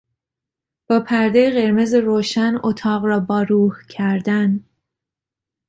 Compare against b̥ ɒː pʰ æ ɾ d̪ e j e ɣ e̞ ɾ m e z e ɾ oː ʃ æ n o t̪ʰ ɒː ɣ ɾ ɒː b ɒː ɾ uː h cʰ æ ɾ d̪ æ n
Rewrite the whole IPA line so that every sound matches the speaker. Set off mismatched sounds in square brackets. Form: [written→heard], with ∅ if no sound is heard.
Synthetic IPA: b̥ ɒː pʰ æ ɾ d̪ e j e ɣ e̞ ɾ m e z e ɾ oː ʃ æ n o t̪ʰ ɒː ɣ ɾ ɒː b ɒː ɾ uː h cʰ æ ɾ d̪ æ n